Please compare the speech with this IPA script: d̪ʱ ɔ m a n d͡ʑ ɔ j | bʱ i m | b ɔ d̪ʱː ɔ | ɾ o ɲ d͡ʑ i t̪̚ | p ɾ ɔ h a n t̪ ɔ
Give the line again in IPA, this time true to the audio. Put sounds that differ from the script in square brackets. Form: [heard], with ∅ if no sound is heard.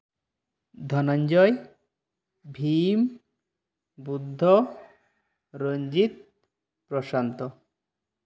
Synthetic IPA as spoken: d̪ʱ ɔ [n] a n d͡ʑ ɔ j | bʱ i m | b [u] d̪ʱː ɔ | ɾ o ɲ d͡ʑ i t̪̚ | p ɾ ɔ [ʃ] a n t̪ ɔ